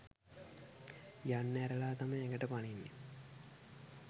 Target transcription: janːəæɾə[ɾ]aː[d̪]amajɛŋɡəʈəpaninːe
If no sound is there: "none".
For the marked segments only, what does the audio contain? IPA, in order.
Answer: l, t̪

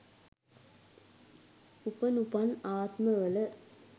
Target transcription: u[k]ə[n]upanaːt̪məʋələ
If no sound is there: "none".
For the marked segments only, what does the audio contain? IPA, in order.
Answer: p, n

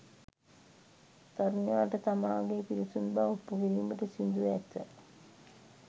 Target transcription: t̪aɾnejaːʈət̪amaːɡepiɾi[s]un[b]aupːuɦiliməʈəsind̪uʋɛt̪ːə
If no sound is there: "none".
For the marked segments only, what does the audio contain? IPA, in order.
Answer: s, b

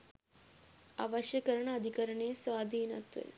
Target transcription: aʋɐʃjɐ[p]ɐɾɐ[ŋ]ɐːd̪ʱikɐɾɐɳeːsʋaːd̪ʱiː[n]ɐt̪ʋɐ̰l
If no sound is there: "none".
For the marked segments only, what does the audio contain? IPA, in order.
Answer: k, ɳ, n

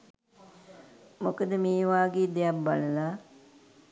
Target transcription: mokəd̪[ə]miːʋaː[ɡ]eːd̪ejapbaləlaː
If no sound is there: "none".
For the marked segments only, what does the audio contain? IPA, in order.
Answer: ə, ɡ

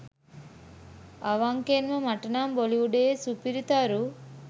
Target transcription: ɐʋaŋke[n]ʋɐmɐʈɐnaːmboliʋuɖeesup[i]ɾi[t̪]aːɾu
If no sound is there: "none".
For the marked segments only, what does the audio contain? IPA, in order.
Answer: n, i, t̪

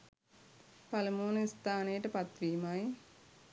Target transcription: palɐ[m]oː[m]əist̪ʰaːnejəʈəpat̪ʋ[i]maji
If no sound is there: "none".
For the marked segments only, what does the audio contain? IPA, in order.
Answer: m, n, iː

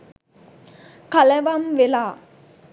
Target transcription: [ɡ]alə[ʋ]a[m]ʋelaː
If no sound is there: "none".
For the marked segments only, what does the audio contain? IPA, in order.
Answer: k, ʋ, m

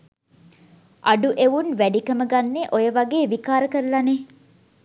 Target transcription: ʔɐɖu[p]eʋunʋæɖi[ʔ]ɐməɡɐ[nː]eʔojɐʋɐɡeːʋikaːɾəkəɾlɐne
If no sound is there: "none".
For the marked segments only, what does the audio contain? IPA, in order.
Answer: ʔ, k, nː

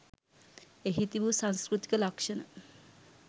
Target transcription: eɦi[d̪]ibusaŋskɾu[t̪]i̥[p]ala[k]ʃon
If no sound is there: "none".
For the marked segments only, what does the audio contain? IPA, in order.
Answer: t̪, t̪, k, k

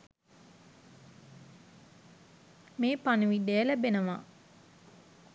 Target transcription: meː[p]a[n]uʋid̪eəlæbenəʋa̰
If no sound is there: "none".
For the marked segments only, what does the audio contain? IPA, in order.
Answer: p, n

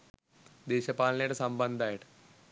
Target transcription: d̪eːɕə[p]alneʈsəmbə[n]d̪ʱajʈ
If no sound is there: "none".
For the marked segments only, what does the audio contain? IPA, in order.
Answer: p, n

